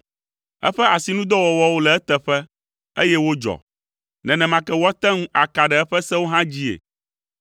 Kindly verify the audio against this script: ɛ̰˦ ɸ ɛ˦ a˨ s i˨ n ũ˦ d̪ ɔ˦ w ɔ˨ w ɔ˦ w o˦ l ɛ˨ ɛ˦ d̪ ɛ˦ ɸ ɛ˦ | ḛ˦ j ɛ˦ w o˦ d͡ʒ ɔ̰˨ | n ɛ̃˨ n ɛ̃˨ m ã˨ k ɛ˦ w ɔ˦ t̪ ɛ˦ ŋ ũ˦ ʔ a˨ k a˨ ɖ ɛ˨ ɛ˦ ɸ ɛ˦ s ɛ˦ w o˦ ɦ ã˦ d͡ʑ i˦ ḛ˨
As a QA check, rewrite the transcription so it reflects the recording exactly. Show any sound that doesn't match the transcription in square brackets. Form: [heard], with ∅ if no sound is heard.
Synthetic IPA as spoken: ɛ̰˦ ɸ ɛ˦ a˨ s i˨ n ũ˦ d̪ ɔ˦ w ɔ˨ w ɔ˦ w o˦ l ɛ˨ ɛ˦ [t̪] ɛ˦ ɸ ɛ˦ | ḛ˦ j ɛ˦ w o˦ d͡ʒ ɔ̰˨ | n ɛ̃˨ n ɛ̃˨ m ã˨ k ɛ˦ w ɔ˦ t̪ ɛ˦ ŋ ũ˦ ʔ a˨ k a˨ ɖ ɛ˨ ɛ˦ ɸ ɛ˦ s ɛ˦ w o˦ ɦ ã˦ d͡ʑ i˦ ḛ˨